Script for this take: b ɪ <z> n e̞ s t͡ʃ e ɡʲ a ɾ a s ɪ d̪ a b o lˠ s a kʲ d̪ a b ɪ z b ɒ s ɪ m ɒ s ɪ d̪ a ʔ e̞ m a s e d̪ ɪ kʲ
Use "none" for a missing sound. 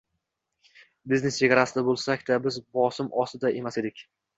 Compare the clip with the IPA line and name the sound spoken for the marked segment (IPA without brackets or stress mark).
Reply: z